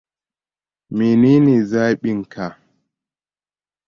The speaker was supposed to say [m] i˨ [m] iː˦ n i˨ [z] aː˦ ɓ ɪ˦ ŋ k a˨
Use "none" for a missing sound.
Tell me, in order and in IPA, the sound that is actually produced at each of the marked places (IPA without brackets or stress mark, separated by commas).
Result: m, n, z